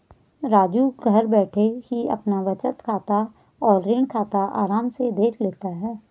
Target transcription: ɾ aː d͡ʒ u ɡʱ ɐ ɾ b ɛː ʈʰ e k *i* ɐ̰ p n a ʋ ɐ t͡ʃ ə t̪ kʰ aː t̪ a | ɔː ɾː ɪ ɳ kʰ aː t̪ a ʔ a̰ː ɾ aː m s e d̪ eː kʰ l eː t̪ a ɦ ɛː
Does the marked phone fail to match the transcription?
no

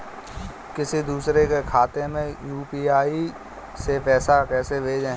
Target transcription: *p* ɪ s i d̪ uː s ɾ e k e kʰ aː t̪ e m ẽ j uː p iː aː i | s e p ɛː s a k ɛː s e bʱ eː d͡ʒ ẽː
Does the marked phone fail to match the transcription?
yes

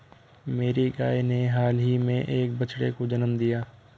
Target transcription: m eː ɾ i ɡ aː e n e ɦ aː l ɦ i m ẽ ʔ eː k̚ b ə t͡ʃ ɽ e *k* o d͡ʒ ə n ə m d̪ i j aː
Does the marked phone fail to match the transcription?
no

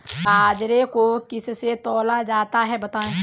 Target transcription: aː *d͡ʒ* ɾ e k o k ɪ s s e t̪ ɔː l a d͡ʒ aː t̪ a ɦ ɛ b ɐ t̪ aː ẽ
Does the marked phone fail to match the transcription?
no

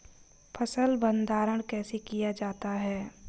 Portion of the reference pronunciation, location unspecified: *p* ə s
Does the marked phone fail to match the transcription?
yes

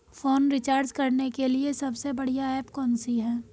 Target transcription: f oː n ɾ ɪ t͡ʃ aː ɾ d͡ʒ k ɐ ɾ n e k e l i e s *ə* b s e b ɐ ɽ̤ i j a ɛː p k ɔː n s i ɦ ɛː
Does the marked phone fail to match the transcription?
yes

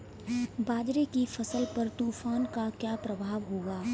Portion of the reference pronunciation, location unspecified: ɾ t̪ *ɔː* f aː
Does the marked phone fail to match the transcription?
yes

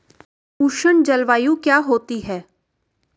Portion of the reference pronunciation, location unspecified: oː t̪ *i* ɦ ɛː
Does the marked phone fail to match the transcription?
no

